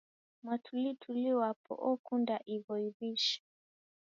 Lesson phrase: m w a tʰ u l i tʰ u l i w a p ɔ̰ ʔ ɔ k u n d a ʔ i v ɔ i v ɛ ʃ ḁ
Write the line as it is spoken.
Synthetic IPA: m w a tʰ u l i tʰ u l i w a p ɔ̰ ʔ ɔ k u n d a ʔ i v ɔ i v i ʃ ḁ